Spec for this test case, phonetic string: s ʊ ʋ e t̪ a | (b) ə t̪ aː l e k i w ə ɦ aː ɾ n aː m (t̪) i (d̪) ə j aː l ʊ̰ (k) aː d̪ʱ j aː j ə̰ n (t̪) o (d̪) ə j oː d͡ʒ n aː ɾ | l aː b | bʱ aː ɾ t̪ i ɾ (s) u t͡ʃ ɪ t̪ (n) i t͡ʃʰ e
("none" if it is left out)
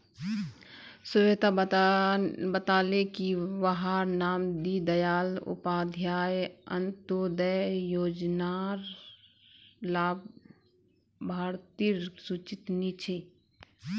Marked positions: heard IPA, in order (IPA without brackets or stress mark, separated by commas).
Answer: b, d̪, d̪, p, t̪, d̪, s, n